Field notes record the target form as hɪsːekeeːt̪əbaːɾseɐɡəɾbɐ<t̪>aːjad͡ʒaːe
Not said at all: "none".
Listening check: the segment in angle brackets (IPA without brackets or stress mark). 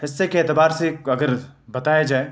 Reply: t̪